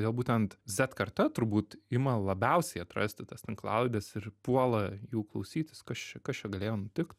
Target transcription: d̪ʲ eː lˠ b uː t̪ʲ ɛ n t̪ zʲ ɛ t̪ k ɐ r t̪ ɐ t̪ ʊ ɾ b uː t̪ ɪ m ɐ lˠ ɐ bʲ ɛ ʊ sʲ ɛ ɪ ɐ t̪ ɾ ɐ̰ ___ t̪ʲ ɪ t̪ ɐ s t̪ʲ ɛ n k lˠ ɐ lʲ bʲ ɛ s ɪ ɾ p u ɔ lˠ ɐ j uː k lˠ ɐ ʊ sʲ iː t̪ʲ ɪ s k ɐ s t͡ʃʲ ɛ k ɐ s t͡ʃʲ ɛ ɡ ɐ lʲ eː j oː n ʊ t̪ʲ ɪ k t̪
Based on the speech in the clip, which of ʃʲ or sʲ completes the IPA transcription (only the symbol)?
sʲ